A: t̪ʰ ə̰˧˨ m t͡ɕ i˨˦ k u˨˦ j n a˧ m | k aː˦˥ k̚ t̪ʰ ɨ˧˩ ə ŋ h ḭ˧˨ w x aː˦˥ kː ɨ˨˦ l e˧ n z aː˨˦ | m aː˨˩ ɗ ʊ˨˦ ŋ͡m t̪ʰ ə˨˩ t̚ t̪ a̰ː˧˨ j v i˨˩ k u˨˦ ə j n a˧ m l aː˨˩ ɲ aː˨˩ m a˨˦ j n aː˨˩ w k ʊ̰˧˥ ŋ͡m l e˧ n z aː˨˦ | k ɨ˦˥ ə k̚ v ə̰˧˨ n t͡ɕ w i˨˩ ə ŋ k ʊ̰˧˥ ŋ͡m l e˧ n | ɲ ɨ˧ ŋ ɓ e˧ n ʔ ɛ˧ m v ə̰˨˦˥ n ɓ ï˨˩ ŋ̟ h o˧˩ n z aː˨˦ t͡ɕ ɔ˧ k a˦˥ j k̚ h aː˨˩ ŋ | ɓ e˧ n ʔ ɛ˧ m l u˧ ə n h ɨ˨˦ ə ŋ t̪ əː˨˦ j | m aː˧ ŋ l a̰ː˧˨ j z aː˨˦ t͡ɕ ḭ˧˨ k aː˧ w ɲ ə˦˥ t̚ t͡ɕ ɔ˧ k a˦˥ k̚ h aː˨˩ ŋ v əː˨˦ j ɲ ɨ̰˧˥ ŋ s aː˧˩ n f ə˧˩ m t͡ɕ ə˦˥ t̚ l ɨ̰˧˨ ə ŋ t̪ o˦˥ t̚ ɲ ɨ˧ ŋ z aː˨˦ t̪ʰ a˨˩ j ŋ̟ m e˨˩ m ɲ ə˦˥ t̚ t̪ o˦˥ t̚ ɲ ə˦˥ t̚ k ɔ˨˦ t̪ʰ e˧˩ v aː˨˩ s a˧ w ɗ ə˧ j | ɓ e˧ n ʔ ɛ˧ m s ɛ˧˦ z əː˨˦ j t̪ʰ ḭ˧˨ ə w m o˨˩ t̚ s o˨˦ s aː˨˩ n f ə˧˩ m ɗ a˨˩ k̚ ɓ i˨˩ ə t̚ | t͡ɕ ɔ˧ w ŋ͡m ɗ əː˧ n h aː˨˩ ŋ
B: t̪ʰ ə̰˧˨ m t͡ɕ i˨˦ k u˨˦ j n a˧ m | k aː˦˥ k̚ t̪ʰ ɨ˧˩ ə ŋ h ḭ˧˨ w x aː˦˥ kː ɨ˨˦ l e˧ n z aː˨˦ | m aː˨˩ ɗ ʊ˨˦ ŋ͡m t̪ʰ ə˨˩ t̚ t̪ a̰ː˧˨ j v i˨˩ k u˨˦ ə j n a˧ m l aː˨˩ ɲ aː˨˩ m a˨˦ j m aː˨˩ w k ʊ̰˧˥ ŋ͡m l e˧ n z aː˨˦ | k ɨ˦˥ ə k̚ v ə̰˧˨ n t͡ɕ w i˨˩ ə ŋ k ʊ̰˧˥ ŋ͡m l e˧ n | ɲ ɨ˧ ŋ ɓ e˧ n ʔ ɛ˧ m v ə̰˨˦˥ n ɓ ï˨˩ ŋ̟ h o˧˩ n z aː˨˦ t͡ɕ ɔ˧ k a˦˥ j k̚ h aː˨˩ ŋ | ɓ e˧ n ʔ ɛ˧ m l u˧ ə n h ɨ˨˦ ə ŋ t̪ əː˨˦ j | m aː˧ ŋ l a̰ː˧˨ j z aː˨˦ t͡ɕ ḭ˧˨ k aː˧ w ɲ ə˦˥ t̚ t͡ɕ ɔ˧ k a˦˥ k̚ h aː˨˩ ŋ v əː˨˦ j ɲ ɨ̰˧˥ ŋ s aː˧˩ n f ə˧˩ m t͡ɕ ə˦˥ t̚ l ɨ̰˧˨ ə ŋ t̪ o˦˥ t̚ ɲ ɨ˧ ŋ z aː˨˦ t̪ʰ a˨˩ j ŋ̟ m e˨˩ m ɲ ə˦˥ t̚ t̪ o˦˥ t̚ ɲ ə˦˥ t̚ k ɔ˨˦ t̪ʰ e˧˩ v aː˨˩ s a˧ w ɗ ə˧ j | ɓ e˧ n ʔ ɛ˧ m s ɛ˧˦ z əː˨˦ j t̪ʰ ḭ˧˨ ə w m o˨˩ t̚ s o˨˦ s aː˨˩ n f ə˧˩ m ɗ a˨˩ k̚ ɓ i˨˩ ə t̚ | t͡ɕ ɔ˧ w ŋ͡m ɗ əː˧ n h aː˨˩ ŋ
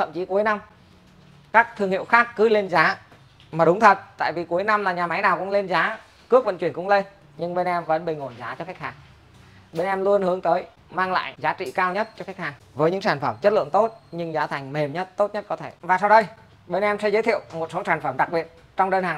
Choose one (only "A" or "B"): A